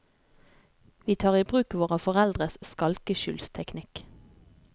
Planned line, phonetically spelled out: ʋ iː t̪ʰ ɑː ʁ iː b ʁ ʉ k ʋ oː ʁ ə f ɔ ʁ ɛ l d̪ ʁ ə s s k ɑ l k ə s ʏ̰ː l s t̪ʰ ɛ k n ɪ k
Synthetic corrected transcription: ʋ iː t̪ʰ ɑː ʁ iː b ʁ ʉː k ʋ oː ʁ ə f ɔ ʁ ɛ l d̪ ʁ ə s s k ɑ l k ə ʃ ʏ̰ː l s t̪ʰ ɛ k n ɪ k